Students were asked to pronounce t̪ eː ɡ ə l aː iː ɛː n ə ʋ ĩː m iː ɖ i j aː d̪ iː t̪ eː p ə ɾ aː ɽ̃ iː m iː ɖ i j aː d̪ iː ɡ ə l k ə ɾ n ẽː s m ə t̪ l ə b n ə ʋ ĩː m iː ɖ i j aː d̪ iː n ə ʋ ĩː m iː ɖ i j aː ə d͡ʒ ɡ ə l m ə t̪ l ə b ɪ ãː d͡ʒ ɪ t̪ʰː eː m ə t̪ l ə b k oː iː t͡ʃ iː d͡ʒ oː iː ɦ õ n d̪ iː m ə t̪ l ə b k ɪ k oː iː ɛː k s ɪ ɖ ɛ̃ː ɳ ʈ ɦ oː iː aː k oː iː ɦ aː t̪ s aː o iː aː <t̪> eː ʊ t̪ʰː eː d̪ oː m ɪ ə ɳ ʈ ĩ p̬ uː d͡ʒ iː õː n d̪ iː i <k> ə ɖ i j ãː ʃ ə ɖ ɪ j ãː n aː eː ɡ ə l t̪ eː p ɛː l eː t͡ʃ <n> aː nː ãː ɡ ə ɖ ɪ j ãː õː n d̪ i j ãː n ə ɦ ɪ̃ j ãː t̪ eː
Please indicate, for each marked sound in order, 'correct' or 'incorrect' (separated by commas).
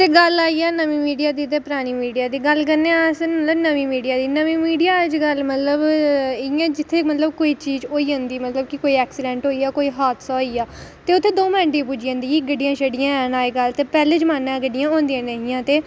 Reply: correct, incorrect, incorrect